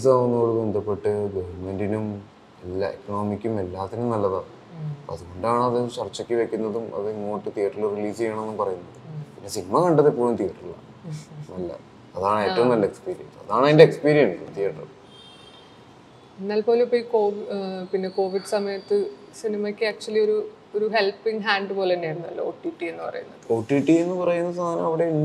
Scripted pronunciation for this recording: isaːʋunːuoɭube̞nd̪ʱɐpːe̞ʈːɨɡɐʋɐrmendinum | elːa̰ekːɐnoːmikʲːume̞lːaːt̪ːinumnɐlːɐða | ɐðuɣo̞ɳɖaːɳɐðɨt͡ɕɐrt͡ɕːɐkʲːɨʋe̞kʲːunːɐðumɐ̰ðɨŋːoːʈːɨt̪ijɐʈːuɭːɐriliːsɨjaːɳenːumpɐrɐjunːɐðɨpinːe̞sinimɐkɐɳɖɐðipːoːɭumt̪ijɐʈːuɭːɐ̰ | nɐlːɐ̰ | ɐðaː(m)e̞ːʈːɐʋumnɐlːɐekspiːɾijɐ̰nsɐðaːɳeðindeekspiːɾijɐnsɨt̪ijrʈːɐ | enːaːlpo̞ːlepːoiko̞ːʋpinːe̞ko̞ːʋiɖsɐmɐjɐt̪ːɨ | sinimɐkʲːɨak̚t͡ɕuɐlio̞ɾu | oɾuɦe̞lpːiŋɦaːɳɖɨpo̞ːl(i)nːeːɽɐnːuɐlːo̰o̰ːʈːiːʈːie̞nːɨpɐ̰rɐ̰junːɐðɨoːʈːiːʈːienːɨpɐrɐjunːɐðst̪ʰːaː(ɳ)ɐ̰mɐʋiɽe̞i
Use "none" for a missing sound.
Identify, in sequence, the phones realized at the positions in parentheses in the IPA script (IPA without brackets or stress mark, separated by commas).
ɳ, e, n